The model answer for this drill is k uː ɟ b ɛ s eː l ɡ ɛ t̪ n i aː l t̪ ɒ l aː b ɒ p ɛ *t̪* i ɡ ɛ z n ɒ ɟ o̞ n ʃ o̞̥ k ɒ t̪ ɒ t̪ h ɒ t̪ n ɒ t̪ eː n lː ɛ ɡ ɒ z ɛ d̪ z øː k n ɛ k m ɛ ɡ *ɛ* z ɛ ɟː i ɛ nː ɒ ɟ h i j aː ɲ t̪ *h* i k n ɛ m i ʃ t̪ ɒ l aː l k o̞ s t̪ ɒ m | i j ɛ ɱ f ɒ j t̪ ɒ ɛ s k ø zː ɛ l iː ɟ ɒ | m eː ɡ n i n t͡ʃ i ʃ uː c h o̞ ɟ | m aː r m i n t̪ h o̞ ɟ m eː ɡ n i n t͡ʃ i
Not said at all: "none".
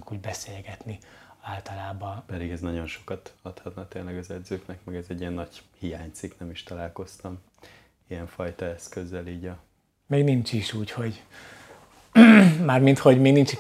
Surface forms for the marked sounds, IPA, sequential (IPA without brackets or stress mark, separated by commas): d̪, ɛ, s